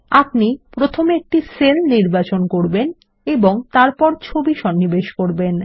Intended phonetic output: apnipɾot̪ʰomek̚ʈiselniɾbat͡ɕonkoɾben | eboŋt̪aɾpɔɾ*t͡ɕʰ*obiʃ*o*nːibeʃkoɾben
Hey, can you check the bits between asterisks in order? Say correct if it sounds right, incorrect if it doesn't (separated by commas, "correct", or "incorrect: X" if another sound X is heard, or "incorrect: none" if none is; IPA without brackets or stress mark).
correct, incorrect: ɔ